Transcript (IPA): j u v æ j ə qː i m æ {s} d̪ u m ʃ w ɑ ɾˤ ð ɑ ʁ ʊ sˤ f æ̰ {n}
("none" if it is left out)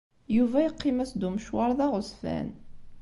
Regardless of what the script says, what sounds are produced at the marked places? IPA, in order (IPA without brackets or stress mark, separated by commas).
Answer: s, n